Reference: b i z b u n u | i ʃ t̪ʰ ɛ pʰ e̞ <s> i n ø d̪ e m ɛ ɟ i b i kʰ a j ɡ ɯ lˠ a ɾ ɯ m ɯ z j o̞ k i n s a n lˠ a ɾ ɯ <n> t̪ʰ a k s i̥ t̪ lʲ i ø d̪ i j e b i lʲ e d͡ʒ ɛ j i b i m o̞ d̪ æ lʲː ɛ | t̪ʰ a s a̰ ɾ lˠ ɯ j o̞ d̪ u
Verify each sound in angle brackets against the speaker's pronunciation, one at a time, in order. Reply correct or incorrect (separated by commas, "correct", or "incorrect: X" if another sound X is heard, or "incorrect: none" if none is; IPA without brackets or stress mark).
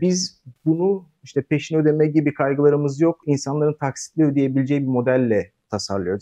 incorrect: ʃ, correct